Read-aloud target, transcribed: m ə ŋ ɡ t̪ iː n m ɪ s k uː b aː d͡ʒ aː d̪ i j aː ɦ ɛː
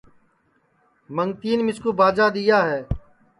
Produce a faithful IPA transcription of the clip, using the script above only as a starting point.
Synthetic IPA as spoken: m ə ŋ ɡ t̪ iː n m ɪ s k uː b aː d͡ʒ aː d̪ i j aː ɦ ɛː